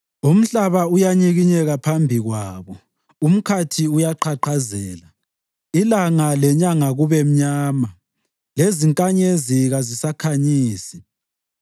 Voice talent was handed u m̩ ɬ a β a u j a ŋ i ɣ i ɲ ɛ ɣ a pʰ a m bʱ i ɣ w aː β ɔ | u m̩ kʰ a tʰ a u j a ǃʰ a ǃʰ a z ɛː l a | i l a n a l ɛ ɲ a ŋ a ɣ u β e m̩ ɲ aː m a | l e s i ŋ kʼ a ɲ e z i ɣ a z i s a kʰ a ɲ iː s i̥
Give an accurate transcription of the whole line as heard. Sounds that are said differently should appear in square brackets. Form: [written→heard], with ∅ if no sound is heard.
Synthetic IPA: u m̩ ɬ a β a u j a [ŋ→ɲ] i ɣ i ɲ ɛ ɣ a pʰ a m bʱ i ɣ w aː β ɔ | u m̩ kʰ a tʰ [a→i] u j a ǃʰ a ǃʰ a z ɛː l a | i l a [n→ŋ] a l ɛ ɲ a ŋ a ɣ u β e m̩ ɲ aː m a | l e [s→z] i ŋ kʼ a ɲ e z i ɣ a z i s a kʰ a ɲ iː s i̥